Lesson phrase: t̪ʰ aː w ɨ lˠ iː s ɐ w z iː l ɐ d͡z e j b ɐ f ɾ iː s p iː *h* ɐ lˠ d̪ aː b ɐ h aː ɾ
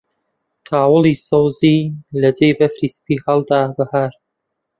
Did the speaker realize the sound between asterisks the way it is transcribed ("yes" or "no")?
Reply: yes